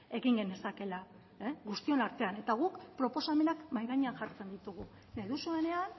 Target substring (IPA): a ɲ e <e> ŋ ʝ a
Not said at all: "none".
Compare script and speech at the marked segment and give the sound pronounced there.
a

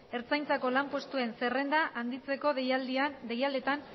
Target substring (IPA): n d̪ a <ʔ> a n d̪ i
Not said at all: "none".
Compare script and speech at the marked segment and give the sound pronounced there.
ʔ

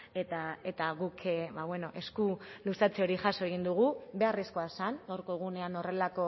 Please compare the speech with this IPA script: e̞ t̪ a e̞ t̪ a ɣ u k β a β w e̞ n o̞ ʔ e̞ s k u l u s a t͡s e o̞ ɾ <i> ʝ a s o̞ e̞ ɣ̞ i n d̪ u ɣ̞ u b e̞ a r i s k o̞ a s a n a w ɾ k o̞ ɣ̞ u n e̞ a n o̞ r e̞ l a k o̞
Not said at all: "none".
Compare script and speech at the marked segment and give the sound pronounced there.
i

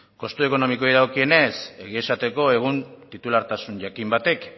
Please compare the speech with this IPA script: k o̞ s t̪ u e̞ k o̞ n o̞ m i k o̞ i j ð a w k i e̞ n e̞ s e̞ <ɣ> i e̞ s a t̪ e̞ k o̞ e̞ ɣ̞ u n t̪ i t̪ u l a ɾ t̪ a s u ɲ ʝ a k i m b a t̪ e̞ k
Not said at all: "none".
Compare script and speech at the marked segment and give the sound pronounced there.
ɣ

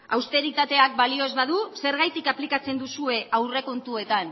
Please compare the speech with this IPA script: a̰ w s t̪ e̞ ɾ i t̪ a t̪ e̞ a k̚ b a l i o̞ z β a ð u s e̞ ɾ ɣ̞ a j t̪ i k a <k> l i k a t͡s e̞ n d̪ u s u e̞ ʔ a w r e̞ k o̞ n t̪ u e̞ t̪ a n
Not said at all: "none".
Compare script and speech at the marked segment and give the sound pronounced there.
p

